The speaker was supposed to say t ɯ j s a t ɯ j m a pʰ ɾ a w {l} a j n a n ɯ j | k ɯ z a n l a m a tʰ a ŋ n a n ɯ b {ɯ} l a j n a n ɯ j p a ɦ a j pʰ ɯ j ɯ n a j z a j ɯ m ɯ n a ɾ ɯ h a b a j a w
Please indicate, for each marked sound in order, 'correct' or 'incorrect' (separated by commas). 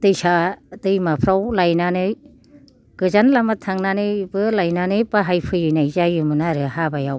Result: correct, correct